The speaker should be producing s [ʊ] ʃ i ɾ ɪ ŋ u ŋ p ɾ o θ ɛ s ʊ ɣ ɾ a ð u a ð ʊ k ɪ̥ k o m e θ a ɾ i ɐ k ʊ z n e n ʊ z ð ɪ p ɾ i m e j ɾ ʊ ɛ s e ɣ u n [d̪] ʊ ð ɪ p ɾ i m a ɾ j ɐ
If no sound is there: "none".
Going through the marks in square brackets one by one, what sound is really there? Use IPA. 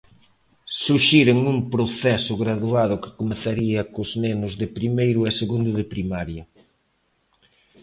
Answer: u, d̪

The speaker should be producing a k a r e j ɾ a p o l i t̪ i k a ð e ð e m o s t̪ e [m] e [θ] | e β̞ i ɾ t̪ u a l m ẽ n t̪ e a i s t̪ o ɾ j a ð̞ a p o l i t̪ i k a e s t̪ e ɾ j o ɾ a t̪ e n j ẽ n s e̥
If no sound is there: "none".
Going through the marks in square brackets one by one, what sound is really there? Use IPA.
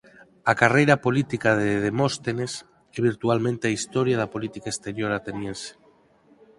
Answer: n, s

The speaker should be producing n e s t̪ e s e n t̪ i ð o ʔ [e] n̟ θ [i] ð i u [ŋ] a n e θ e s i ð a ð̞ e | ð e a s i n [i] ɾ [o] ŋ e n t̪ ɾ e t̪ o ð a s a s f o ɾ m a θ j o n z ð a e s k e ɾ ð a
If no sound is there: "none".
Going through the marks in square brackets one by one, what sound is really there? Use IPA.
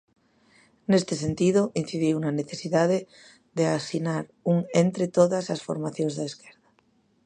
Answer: i, i, n, a, u

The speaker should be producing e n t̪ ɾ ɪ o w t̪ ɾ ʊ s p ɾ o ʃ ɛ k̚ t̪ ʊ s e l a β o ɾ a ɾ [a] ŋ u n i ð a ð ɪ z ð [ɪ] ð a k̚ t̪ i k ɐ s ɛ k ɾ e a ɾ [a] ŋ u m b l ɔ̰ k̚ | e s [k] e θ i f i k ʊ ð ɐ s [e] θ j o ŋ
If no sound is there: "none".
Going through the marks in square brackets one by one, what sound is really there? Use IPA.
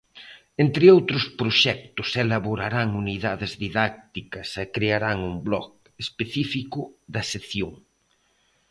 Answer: a, i, a, p, e

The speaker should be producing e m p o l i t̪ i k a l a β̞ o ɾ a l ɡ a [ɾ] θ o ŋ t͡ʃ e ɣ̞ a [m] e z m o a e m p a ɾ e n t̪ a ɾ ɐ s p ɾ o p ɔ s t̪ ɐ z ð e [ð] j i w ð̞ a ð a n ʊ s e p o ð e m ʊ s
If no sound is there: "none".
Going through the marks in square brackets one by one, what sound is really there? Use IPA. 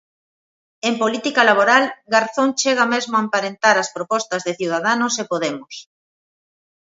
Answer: ɾ, m, θ

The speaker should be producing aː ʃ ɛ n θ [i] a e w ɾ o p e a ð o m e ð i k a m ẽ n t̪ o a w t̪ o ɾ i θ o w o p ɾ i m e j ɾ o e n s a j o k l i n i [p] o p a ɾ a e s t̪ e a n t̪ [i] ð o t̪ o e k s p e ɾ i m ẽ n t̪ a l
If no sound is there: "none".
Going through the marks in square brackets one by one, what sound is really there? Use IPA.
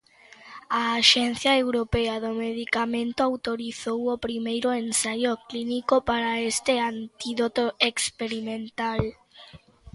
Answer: j, k, i

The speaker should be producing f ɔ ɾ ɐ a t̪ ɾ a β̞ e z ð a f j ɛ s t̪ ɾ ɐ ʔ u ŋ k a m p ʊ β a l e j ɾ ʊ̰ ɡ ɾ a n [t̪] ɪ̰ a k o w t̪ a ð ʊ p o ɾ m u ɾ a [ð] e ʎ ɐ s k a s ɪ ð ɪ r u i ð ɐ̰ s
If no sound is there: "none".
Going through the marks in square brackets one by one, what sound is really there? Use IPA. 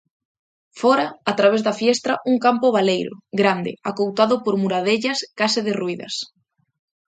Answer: d̪, ð

